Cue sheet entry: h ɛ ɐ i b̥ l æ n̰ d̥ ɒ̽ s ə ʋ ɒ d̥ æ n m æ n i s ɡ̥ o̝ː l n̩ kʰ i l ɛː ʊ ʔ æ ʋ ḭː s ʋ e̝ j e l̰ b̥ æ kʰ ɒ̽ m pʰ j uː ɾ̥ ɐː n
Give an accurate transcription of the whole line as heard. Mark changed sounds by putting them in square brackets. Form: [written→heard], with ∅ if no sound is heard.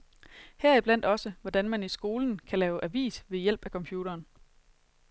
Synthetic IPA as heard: h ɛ ɐ i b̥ l æ n̰ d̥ ɒ̽ s ə ʋ ɒ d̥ æ n m æ n i s ɡ̥ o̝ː l n̩ kʰ [i→æ] l ɛː ʊ ʔ æ ʋ ḭː s ʋ e̝ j e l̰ b̥ æ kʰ ɒ̽ m pʰ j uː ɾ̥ ɐː n